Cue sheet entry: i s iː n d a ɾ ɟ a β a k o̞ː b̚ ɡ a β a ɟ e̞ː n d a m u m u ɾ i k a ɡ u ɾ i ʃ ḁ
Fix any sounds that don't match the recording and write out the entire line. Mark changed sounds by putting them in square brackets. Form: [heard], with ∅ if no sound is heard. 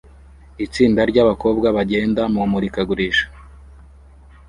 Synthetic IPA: i [t͡s] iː n d a ɾ ɟ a β a k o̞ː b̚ ɡ a β a ɟ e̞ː n d a m u m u ɾ i k a ɡ u ɾ i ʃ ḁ